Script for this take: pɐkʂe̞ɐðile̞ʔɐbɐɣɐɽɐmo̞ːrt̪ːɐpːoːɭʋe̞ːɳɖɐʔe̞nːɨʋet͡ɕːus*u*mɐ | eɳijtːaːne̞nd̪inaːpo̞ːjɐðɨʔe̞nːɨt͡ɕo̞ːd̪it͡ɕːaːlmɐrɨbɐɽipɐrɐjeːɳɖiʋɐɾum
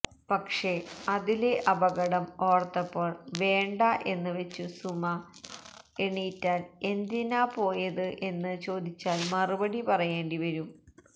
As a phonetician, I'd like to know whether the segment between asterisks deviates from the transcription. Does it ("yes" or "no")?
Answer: no